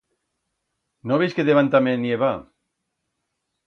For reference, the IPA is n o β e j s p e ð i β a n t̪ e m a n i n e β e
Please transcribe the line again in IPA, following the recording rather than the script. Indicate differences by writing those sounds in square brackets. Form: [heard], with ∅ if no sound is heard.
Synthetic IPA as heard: n o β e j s [k] e ð [e] β a n t̪ [a] m [e] n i [∅] e β [a]